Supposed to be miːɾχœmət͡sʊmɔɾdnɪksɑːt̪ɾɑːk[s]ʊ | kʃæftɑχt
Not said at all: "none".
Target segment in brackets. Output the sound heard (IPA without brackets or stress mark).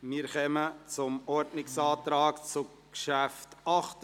t͡s